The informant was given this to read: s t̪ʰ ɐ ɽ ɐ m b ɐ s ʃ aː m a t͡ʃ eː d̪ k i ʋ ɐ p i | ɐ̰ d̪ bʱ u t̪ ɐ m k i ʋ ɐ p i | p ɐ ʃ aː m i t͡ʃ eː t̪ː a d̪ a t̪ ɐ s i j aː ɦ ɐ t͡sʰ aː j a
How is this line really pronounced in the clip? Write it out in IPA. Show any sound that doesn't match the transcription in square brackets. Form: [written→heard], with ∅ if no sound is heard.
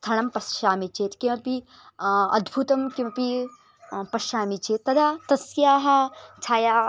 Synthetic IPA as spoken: s t̪ʰ ɐ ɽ ɐ m [b→p] ɐ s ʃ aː m [a→i] t͡ʃ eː [d̪→t̪] k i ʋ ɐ p i | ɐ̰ d̪ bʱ u t̪ ɐ m k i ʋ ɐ p i | p ɐ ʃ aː m i t͡ʃ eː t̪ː [a→ɐ] d̪ a t̪ ɐ s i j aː ɦ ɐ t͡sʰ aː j a

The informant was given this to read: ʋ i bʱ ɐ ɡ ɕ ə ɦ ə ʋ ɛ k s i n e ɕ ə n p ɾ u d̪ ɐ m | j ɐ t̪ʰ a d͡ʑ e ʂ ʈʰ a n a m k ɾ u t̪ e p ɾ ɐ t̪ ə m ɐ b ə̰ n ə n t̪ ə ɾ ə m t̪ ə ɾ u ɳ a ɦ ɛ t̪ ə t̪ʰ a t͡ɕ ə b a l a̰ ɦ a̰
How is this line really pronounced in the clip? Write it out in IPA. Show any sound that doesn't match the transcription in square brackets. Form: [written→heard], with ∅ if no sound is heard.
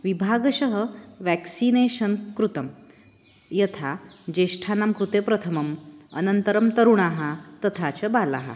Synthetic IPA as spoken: ʋ i bʱ [ɐ→a] ɡ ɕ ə ɦ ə ʋ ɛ k s i n e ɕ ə n [p→k] ɾ u [d̪→t̪] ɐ m | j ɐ t̪ʰ a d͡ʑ e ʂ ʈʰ a n a m k ɾ u t̪ e p ɾ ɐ [t̪→t̪ʰ] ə m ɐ [b→m] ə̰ n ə n t̪ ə ɾ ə m t̪ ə ɾ u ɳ a ɦ [ɛ→a] t̪ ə t̪ʰ a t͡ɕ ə b a l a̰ ɦ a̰

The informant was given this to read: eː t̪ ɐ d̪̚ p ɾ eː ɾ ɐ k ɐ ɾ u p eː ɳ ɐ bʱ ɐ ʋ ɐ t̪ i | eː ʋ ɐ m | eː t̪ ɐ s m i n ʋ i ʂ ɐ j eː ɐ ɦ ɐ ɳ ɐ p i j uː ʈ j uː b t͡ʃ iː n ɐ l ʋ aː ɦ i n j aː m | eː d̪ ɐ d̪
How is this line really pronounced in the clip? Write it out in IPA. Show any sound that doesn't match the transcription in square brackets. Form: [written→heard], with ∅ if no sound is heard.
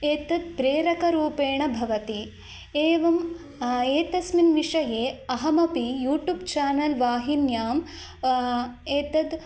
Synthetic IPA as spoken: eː t̪ ɐ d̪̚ p ɾ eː ɾ ɐ k ɐ ɾ [u→uː] p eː ɳ ɐ bʱ ɐ ʋ ɐ t̪ i | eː ʋ ɐ m | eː t̪ ɐ s m i n ʋ i ʂ ɐ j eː ɐ ɦ ɐ [ɳ→m] ɐ p i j uː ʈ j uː b t͡ʃ [iː→aː] n ɐ l ʋ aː ɦ i n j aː m | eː [d̪→t̪] ɐ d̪

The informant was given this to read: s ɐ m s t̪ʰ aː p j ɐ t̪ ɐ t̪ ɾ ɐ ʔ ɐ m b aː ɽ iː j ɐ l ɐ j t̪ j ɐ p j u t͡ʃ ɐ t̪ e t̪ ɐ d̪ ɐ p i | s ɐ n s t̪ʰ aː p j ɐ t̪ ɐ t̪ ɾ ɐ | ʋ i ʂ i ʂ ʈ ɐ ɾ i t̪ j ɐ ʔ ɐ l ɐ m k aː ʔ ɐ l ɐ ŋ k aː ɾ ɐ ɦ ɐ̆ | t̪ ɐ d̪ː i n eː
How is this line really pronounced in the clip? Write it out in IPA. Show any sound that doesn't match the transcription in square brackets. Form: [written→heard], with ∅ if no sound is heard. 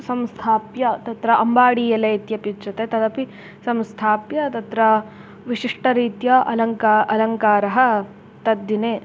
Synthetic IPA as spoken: s ɐ m s t̪ʰ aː p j ɐ t̪ ɐ t̪ ɾ ɐ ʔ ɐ m b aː ɽ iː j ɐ l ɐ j t̪ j ɐ p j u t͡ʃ ɐ t̪ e t̪ ɐ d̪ ɐ p i | s ɐ [n→m] s t̪ʰ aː p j ɐ t̪ ɐ t̪ ɾ ɐ | ʋ i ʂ i ʂ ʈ ɐ ɾ [i→iː] t̪ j ɐ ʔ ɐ l ɐ [m→ŋ] k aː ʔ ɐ l ɐ ŋ k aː ɾ ɐ ɦ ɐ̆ | t̪ ɐ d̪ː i n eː

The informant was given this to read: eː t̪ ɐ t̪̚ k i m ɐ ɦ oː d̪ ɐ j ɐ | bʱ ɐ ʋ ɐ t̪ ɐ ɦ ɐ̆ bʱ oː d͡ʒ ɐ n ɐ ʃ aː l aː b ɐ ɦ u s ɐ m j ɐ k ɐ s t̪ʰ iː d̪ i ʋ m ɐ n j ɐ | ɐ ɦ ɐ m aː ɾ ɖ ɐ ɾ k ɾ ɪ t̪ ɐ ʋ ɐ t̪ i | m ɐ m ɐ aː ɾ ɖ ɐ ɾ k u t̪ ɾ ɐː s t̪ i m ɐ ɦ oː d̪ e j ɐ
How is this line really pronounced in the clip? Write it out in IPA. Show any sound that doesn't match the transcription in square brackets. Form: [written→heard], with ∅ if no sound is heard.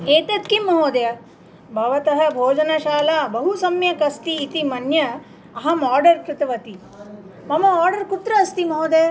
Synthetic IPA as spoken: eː t̪ ɐ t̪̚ k i m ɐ ɦ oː d̪ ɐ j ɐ | bʱ ɐ ʋ ɐ t̪ ɐ ɦ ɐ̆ bʱ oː d͡ʒ ɐ n ɐ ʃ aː l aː b ɐ ɦ u s ɐ m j ɐ k ɐ s [t̪ʰ→t̪] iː [d̪→t̪] i [ʋ→∅] m ɐ n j ɐ | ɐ ɦ ɐ m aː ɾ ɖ ɐ ɾ k ɾ ɪ t̪ ɐ ʋ ɐ t̪ i | m ɐ m ɐ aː ɾ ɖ ɐ ɾ k u t̪ ɾ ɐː s t̪ i m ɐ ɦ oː d̪ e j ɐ

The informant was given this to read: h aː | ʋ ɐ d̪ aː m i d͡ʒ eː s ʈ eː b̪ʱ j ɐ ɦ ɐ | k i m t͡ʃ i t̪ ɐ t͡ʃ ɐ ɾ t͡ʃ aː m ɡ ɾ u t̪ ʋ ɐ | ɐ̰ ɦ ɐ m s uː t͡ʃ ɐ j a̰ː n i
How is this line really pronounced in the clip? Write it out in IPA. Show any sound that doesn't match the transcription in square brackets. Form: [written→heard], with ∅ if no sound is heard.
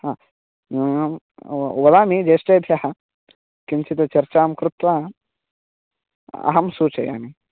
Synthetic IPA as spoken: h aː | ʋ ɐ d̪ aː m i d͡ʒ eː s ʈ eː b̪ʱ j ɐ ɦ ɐ | k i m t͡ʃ i t̪ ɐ t͡ʃ ɐ ɾ t͡ʃ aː m [ɡ→k] ɾ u t̪ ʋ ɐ | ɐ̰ ɦ ɐ m s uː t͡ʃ ɐ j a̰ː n i

